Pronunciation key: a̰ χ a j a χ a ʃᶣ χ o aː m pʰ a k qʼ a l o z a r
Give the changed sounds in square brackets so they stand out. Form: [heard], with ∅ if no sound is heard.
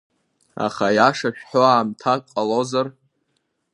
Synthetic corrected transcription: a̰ χ a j a [ʂ] a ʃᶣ [ħ] o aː m [tʰ] a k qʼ a l o z a r